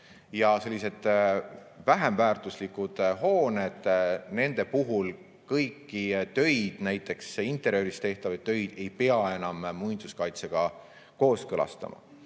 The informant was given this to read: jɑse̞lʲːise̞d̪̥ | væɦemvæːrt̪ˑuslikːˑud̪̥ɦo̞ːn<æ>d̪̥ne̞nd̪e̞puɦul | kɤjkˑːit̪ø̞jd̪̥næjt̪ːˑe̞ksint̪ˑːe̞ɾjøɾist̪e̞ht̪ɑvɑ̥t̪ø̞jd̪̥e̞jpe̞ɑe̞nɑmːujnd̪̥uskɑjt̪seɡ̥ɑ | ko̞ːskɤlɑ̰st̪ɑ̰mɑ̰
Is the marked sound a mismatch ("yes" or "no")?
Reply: yes